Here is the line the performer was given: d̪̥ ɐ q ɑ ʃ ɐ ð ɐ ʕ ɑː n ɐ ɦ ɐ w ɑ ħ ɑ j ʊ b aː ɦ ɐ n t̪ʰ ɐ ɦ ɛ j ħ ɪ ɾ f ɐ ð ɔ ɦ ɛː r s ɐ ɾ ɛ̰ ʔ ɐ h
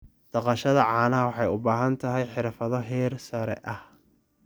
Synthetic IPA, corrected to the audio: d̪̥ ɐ q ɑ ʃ ɐ ð ɐ ʕ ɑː n ɐ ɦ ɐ w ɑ ħ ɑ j ʊ b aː ɦ ɐ n t̪ʰ ɐ ɦ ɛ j ħ ɪ ɾ f ɐ ð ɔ ɦ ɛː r s ɐ ɾ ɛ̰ ʔ ɐ h